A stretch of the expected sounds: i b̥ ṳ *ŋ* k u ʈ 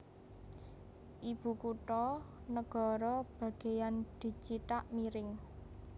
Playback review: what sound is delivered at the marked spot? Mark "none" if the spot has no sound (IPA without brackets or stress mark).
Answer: none